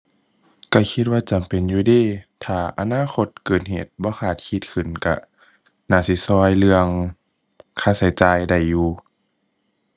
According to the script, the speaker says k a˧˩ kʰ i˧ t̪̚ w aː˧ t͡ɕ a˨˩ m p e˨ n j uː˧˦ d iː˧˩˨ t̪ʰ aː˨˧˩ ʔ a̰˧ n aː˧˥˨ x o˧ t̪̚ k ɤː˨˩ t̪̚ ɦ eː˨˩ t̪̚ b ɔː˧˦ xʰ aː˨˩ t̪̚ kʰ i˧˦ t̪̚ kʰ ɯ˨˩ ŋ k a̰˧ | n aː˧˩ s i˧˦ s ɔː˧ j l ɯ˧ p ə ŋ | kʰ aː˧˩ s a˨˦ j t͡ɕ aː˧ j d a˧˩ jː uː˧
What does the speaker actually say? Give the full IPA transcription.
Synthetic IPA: k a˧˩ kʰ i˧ t̪̚ w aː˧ t͡ɕ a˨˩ m p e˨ n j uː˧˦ d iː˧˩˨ t̪ʰ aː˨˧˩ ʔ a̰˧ n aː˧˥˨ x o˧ t̪̚ k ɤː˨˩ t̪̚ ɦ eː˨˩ t̪̚ b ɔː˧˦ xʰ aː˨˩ t̪̚ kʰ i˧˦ t̪̚ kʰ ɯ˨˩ n k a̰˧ | n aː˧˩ s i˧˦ s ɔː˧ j l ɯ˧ ə ŋ | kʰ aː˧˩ s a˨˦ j t͡ɕ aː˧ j d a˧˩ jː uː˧